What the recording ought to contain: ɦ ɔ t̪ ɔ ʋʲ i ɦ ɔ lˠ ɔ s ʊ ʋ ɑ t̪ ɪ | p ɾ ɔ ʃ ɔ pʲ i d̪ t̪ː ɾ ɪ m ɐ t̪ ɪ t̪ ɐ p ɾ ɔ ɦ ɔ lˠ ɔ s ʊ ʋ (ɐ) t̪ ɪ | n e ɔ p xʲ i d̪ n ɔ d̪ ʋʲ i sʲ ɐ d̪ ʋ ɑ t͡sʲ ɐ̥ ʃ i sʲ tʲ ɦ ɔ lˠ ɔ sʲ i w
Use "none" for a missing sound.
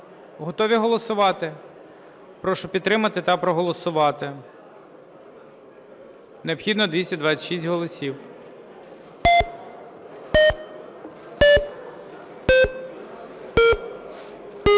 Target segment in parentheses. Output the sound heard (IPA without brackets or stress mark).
ɑ